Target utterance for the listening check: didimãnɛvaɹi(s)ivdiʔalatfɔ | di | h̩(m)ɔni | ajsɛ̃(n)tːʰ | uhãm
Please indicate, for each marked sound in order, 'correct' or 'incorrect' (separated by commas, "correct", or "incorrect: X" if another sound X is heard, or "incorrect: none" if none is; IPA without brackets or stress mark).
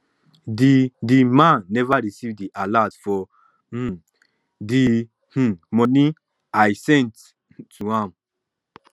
correct, correct, correct